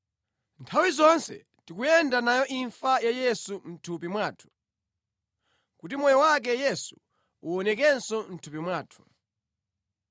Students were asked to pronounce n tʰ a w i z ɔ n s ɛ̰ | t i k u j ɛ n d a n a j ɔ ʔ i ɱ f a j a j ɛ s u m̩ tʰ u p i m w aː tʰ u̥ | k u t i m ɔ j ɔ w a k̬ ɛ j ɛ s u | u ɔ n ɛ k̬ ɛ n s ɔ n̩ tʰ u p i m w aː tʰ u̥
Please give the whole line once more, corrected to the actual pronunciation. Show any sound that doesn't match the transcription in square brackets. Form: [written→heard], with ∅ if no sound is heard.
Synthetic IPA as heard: n tʰ a w i z ɔ n s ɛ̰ | t i k u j ɛ n d a n a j ɔ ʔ i ɱ f a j a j ɛ s u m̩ tʰ u p i m w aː tʰ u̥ | k u t i m ɔ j ɔ w a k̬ ɛ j ɛ s u | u ɔ n ɛ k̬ ɛ n s ɔ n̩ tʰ u p i m w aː tʰ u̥